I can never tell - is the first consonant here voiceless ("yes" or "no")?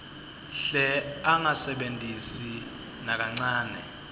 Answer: yes